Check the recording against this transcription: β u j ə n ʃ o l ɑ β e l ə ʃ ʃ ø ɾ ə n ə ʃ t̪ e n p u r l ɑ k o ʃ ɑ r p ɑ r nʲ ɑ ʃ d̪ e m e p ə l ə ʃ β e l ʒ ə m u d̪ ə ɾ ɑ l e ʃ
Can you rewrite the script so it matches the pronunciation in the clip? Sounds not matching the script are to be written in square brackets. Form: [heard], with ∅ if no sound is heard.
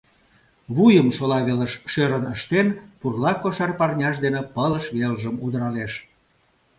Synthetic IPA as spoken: β u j ə [m] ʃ o l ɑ β e l ə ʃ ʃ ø ɾ ə n ə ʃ t̪ e n p u r l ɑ k o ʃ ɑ r p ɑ r nʲ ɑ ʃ d̪ e [n] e p ə l ə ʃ β e l ʒ ə m u d̪ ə ɾ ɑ l e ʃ